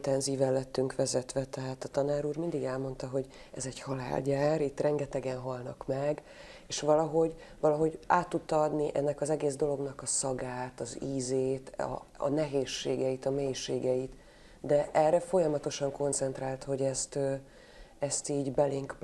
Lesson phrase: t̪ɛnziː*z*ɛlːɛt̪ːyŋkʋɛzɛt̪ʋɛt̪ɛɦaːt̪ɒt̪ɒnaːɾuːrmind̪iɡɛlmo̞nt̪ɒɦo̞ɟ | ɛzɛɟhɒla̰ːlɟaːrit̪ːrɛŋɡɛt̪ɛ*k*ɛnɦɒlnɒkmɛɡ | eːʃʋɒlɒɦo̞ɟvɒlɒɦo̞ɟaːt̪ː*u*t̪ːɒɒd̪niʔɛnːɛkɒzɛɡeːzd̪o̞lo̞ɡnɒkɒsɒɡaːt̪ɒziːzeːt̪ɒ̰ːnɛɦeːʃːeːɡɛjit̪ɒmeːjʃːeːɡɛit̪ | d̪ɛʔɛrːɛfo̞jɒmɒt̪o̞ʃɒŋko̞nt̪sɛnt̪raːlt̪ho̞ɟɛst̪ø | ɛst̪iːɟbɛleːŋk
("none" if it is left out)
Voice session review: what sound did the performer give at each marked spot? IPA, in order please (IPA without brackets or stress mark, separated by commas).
v, ɡ, u